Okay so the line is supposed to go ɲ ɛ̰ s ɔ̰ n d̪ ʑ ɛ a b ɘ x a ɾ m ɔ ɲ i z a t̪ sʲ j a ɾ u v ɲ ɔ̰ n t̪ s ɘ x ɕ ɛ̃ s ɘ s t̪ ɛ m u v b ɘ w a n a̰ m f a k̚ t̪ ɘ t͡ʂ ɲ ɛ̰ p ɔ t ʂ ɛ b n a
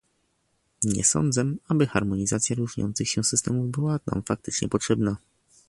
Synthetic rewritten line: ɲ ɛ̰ s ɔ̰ n d̪ z ɛ a b ɘ x a ɾ m ɔ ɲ i z a t̪ sʲ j a ɾ u ʐ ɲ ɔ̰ n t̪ s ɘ x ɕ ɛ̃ s ɘ s t̪ ɛ m u v b ɘ w a n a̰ m f a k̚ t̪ ɘ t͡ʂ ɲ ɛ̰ p ɔ t ʂ ɛ b n a